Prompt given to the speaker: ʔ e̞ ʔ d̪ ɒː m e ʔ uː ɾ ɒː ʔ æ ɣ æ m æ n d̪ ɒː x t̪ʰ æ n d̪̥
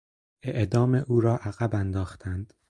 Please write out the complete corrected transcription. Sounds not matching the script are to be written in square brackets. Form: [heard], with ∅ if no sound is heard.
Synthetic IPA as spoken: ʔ e̞ ʔ d̪ ɒː m e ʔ uː ɾ ɒː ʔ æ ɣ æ [b] æ n d̪ ɒː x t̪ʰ æ n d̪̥